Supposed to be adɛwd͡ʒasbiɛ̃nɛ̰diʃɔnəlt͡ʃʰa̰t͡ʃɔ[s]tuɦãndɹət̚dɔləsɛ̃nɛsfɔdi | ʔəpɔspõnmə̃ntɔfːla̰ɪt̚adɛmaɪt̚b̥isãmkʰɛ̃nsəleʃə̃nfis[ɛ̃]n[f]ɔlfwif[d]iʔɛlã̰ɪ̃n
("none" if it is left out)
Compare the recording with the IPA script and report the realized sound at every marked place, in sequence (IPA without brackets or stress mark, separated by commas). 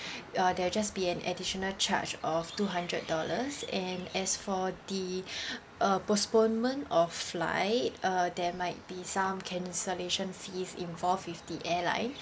f, ĩ, v, d